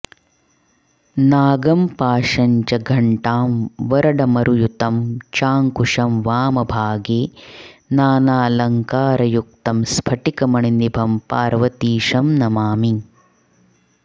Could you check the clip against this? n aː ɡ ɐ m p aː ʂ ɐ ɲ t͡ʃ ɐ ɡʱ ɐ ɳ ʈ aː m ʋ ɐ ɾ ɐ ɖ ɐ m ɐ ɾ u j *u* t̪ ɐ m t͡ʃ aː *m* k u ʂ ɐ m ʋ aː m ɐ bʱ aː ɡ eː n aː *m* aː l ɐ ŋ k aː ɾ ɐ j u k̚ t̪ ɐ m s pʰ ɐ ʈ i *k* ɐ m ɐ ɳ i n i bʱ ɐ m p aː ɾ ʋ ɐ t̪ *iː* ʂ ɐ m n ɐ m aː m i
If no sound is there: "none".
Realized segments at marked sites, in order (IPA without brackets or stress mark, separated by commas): u, ŋ, n, k, iː